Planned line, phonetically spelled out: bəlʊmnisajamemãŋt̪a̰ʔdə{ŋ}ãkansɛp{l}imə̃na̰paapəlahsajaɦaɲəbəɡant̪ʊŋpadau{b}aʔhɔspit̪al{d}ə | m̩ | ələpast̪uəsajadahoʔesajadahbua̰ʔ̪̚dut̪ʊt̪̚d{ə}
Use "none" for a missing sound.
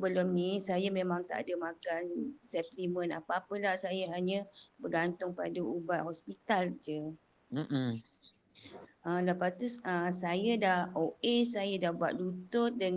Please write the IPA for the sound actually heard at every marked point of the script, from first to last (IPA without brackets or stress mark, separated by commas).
m, l, b, d͡ʒ, ə